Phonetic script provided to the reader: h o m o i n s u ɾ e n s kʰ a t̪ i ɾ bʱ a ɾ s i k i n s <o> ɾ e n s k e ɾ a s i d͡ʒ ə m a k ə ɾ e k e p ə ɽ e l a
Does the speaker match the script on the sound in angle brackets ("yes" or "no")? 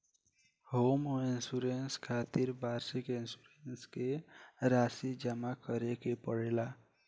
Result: no